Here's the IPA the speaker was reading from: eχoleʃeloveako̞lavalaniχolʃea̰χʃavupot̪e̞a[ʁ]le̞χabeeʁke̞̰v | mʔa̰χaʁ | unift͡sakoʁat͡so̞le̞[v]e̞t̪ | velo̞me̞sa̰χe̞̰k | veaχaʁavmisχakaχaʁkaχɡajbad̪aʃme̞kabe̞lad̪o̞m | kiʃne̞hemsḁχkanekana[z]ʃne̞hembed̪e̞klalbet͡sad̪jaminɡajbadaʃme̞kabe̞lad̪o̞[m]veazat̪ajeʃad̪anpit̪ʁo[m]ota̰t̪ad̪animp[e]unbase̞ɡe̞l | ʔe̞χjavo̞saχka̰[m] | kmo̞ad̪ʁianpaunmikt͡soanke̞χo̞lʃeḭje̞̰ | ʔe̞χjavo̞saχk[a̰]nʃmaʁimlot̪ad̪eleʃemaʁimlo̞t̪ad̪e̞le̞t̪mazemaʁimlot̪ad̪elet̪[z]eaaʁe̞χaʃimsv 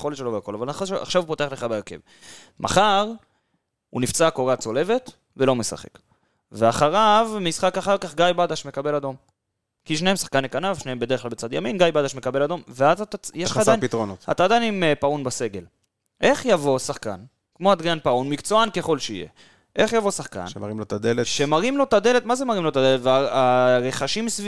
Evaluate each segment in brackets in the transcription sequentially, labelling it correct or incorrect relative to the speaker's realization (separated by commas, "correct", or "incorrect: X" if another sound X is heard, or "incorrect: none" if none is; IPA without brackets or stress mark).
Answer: incorrect: χ, correct, incorrect: v, correct, incorrect: n, incorrect: a, incorrect: n, correct, incorrect: v